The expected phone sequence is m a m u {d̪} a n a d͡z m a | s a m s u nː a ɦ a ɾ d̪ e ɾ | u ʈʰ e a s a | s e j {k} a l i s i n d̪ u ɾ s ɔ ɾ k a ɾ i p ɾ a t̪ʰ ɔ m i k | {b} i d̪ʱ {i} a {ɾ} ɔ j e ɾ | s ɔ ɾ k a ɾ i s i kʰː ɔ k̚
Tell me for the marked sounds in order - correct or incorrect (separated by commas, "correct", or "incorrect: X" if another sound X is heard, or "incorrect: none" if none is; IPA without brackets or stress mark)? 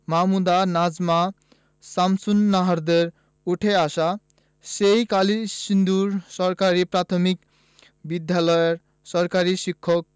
correct, correct, correct, incorrect: j, incorrect: l